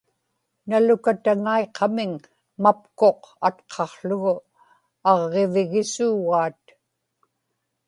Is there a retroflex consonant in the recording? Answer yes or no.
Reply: no